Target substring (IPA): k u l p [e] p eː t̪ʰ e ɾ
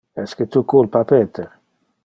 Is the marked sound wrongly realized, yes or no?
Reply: yes